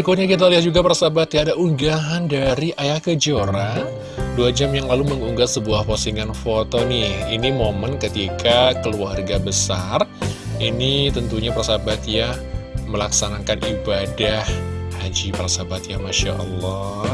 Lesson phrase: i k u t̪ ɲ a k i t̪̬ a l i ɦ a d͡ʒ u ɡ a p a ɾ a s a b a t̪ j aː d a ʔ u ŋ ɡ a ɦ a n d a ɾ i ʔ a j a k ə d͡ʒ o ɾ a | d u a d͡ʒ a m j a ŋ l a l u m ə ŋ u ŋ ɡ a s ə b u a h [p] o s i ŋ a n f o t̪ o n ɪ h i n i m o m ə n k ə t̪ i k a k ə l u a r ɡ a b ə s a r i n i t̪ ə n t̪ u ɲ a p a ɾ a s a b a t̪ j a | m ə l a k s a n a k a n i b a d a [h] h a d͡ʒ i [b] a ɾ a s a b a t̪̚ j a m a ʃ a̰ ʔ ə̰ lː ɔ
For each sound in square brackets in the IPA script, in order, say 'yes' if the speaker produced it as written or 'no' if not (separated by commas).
yes, yes, no